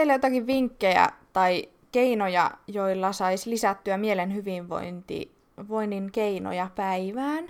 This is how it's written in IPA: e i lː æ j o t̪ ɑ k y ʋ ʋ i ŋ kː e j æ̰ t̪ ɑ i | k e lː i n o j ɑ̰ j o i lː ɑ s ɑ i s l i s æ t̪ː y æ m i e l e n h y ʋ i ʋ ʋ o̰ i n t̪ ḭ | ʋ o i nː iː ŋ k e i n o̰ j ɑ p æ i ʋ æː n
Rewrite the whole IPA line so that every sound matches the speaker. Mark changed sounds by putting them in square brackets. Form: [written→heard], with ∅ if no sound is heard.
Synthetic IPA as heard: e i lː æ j o t̪ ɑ k [y→i] ʋ ʋ i ŋ kː e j æ̰ t̪ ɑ i | k e [lː→∅] i n o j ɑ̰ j o i lː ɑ s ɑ i s l i s æ t̪ː y æ m i e l e n h y ʋ i ʋ ʋ o̰ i n t̪ ḭ | ʋ o i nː [iː→i] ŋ k e i n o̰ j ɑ p æ i ʋ æː n